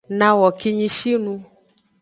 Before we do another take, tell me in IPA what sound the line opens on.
n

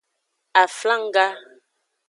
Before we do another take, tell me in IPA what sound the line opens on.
a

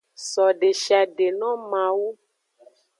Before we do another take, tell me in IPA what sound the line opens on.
s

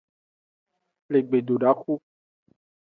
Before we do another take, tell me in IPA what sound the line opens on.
l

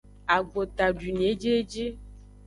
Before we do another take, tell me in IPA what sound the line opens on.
a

